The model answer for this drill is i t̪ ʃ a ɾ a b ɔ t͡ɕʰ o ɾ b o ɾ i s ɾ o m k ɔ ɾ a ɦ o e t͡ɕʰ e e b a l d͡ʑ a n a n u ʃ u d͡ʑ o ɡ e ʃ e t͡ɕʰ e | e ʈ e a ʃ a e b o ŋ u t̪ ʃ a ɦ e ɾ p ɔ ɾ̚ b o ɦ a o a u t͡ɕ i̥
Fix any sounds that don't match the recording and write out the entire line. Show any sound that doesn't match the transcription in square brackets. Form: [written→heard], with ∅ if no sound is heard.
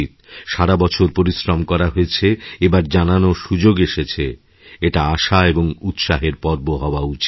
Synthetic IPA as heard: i t̪ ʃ a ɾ a b ɔ t͡ɕʰ o ɾ [b→p] o ɾ i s ɾ o m k ɔ ɾ a ɦ o e t͡ɕʰ e e b a [l→ɾ] d͡ʑ a n a n [u→o] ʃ u d͡ʑ o ɡ e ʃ e t͡ɕʰ e | e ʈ [e→a] a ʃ a e b o ŋ u t̪ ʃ a ɦ e ɾ p ɔ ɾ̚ b o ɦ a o a u t͡ɕ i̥

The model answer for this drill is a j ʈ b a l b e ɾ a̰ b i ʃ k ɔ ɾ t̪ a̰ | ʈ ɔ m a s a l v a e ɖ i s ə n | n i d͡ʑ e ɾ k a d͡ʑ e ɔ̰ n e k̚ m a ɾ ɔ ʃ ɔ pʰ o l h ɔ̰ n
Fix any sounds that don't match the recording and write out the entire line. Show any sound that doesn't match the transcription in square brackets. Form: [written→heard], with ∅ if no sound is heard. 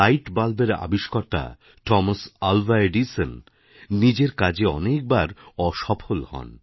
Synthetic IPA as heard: a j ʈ b a l b e ɾ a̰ b i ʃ k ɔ ɾ t̪ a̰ | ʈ ɔ m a s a l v a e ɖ i s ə n | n i d͡ʑ e ɾ k a d͡ʑ e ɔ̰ n e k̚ [m→b] a ɾ ɔ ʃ ɔ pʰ o l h ɔ̰ n

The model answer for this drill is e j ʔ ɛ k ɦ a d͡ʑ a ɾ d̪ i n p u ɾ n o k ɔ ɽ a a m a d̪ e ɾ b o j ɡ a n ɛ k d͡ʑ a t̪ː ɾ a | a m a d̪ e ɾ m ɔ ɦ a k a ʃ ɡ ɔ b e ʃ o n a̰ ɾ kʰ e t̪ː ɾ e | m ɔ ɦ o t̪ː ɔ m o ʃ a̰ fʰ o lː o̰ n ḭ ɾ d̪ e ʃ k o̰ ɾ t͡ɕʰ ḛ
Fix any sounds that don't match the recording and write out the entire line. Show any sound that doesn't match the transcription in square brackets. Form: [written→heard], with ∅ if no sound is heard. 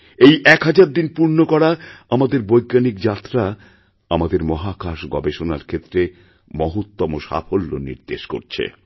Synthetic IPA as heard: e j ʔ ɛ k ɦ a d͡ʑ a ɾ d̪ i n p u ɾ n o k ɔ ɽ a a m a d̪ e ɾ b o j ɡ a n [ɛ→i] k d͡ʑ a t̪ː ɾ a | a m a d̪ e ɾ m ɔ ɦ a k a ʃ ɡ ɔ b e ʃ o n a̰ ɾ kʰ e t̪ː ɾ e | m ɔ ɦ o t̪ː ɔ m o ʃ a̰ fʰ o lː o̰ n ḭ ɾ d̪ e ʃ k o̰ ɾ t͡ɕʰ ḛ

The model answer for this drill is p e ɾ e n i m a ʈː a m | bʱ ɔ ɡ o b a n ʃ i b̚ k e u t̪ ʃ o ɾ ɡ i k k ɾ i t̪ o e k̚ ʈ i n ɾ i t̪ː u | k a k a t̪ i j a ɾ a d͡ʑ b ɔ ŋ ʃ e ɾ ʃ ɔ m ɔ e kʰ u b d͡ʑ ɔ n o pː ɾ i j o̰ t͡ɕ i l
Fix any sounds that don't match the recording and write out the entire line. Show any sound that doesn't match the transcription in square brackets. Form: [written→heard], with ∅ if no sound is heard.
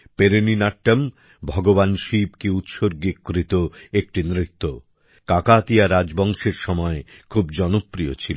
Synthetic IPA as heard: p e ɾ e n i [m→n] a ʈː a m | bʱ ɔ ɡ o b a n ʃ i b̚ k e u t̪ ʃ o ɾ ɡ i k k ɾ i t̪ o e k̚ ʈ i n ɾ i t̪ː [u→o] | k a k a t̪ i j a ɾ a d͡ʑ b ɔ ŋ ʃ e ɾ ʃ ɔ m ɔ e kʰ u b d͡ʑ ɔ n o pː ɾ i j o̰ [t͡ɕ→t͡ɕʰ] i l

